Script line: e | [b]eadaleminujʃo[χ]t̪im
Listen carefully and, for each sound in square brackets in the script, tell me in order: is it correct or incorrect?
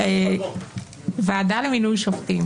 incorrect: v, incorrect: f

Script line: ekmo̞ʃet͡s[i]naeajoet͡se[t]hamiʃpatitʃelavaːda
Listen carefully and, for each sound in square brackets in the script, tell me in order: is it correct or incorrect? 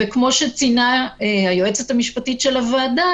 correct, correct

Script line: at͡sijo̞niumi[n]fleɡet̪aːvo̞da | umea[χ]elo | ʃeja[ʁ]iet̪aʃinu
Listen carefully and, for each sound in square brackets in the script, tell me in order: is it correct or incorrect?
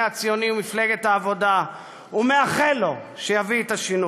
incorrect: none, correct, incorrect: v

